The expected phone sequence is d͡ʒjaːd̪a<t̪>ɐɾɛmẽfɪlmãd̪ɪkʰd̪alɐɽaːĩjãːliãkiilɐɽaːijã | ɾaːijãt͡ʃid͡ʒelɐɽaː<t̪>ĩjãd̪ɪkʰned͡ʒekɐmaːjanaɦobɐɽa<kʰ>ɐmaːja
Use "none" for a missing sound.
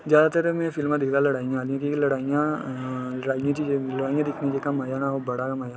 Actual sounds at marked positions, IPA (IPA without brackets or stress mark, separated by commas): t̪, none, k